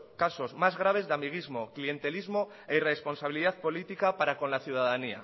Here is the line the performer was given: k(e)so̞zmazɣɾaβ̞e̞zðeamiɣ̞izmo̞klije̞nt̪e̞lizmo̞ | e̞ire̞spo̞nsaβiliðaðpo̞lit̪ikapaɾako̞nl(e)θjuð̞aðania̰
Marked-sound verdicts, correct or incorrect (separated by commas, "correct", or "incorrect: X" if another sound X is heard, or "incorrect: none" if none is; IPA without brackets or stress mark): incorrect: a, incorrect: a